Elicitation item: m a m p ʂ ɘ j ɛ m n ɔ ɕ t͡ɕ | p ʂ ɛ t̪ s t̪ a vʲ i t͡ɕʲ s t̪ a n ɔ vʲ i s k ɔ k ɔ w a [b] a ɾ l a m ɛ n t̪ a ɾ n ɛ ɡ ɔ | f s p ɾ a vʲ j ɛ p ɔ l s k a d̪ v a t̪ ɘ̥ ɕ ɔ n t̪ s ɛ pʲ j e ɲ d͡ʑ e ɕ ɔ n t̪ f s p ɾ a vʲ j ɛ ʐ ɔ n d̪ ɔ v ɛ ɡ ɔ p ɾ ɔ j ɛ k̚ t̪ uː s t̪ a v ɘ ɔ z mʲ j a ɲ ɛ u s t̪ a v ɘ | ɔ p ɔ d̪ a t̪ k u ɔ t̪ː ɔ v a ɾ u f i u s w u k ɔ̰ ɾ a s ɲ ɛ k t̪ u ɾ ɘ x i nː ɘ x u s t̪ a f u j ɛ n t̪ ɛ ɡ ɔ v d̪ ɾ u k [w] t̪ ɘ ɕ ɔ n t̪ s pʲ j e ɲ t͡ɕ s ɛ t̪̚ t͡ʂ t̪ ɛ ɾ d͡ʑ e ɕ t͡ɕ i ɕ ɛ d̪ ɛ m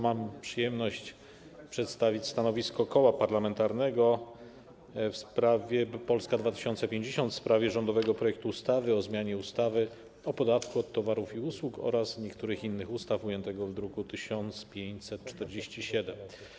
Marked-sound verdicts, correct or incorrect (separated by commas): incorrect, incorrect